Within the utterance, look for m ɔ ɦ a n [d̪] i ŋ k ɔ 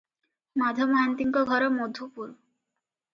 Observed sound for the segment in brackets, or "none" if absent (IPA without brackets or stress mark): t̪